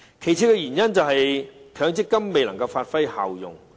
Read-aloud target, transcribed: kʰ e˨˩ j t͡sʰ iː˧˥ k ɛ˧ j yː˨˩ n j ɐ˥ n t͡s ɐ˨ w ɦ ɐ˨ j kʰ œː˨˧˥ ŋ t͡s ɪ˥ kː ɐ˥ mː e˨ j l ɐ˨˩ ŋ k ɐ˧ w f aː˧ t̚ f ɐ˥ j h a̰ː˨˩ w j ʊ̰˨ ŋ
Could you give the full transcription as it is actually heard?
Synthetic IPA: kʰ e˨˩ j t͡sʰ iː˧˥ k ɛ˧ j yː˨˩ n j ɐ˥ n t͡s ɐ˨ w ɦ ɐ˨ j kʰ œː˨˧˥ ŋ t͡s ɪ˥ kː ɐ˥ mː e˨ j l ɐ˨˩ ŋ k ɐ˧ w f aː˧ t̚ f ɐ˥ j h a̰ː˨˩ w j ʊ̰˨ ŋ